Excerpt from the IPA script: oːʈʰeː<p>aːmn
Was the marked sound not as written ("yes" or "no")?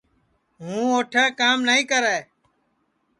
yes